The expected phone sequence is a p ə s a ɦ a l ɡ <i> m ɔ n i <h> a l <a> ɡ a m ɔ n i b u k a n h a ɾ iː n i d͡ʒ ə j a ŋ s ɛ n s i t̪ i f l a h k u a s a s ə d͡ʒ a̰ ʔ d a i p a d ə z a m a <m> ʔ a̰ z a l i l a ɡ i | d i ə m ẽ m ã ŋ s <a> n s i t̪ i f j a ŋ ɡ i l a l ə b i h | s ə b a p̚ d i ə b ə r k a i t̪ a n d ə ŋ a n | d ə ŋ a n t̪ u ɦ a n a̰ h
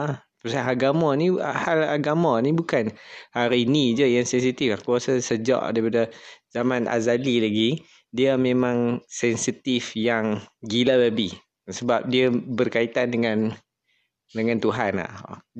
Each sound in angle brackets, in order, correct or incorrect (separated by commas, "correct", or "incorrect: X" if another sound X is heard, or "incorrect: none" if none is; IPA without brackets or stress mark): incorrect: a, correct, correct, incorrect: n, incorrect: ɛ